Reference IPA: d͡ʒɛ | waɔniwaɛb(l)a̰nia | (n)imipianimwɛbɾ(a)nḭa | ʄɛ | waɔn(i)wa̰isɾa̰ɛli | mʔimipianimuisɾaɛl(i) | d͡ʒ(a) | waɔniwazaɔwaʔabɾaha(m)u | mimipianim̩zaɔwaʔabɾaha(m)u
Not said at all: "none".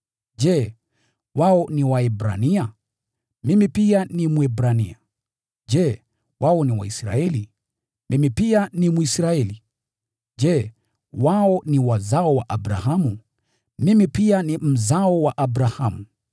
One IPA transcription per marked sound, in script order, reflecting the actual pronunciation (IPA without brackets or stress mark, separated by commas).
ɾ, m, a, i, i, ɛ, m, m